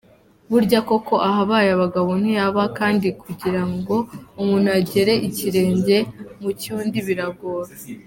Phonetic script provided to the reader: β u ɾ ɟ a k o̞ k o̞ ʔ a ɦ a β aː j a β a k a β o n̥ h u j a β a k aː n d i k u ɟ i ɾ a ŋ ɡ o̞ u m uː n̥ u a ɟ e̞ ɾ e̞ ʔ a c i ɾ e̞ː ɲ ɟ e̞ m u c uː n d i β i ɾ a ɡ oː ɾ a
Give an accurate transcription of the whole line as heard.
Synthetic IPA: β u ɾ ɟ a k o̞ k o̞ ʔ a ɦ a β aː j a β a ɡ a β o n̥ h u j a β a k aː n d i k u ɟ i ɾ a ŋ ɡ o̞ u m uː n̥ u a ɟ e̞ ɾ e̞ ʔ i c i ɾ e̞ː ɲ ɟ e̞ m u c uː n d i β i ɾ a ɡ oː ɾ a